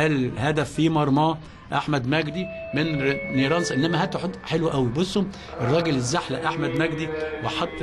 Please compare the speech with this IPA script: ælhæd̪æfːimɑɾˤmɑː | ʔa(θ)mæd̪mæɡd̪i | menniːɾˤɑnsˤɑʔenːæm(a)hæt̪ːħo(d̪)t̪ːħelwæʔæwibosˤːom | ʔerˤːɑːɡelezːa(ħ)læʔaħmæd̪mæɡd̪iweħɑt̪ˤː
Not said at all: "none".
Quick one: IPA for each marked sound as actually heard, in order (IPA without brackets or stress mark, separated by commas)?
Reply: ħ, æ, none, ħ